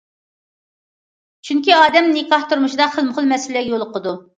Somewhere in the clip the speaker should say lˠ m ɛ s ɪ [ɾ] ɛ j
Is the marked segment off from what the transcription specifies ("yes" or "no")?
yes